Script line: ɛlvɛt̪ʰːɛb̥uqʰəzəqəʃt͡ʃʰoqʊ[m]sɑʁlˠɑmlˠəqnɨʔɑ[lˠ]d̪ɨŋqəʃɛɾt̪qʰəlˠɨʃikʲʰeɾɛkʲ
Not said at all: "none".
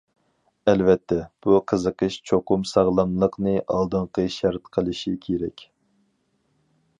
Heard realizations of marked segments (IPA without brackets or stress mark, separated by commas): m, lˠ